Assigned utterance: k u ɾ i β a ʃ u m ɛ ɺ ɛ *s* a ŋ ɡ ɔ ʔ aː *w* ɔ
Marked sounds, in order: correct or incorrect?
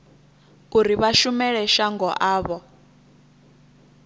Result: incorrect: ʃ, incorrect: β

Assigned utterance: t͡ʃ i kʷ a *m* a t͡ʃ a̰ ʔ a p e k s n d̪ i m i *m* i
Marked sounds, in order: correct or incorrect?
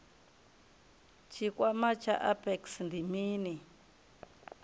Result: correct, incorrect: n

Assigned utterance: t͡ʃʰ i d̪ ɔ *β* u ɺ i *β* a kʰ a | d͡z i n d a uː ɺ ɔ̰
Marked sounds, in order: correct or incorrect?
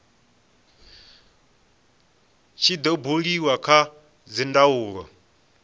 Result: incorrect: b, incorrect: w

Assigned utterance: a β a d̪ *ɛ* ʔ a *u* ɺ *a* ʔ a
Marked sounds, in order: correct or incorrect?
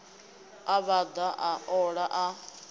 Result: incorrect: a, incorrect: ɔ, correct

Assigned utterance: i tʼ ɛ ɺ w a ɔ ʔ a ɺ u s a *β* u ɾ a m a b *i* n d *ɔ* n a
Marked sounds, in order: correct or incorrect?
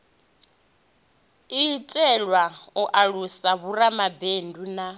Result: correct, incorrect: e, incorrect: u

